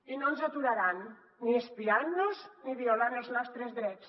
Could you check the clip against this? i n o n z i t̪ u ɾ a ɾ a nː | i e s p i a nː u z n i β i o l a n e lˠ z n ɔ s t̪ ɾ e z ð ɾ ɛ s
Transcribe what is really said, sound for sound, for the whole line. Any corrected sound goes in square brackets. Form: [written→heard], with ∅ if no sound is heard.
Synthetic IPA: i n o n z [i→a] t̪ u ɾ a ɾ a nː | i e s p i a nː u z n i β i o l a n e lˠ z n ɔ s t̪ ɾ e z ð ɾ ɛ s